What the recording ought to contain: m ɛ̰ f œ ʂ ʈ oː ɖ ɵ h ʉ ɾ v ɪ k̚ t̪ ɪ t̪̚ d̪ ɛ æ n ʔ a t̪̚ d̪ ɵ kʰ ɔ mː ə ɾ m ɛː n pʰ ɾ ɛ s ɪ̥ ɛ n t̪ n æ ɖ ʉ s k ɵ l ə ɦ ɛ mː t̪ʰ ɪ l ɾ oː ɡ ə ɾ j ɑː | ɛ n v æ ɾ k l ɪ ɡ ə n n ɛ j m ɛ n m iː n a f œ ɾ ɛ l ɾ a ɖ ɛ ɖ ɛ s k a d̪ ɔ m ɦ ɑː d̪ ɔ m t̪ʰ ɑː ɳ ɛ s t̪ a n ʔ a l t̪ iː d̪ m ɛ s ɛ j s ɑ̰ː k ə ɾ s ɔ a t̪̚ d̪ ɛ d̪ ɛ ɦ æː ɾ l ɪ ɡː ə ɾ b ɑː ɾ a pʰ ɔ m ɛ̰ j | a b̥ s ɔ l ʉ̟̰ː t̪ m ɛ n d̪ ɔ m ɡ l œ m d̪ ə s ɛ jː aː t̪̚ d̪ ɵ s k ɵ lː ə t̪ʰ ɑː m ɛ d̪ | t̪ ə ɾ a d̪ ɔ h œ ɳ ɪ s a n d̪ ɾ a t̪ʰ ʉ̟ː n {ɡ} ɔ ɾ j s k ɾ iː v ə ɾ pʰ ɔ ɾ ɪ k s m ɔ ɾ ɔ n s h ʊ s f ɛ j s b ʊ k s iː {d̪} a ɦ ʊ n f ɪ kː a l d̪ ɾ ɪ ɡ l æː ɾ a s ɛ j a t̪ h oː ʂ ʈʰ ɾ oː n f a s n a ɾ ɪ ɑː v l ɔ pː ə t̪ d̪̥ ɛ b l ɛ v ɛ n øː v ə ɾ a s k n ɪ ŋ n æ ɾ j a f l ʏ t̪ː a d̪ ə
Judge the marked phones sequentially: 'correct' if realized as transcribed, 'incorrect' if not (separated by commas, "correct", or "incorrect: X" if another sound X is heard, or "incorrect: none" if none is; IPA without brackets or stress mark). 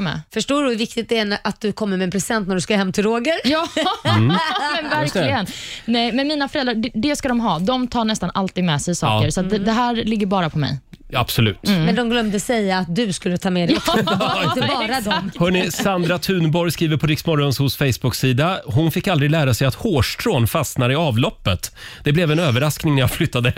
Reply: incorrect: b, correct